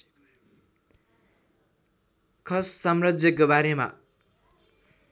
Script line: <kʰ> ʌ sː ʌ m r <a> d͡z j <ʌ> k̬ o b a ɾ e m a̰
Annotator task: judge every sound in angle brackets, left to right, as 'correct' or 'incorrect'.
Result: correct, incorrect: ʌ, correct

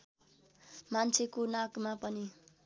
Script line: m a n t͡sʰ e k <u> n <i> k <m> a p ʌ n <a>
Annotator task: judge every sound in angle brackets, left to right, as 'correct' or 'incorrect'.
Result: incorrect: o, incorrect: a, correct, incorrect: i

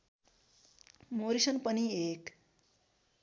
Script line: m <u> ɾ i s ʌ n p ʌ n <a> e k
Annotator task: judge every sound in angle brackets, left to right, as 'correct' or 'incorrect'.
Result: incorrect: o, incorrect: i

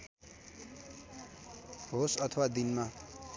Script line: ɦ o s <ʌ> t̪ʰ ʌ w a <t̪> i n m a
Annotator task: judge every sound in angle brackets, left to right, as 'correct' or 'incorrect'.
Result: correct, incorrect: d̪

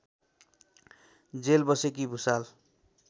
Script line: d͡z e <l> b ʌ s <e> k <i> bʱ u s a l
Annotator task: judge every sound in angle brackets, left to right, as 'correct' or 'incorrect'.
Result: correct, correct, correct

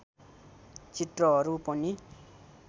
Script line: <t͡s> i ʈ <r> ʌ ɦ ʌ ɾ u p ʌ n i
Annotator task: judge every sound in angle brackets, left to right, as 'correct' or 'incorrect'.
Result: correct, correct

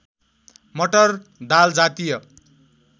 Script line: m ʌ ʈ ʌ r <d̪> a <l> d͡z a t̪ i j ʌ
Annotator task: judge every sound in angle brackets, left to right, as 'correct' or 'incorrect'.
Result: correct, correct

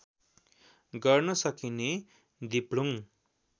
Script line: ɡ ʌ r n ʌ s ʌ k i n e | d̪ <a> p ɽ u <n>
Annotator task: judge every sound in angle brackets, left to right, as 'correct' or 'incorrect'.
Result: incorrect: i, incorrect: ŋ

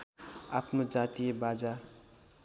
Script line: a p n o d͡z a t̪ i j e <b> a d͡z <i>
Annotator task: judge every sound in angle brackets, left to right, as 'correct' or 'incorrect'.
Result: correct, incorrect: a

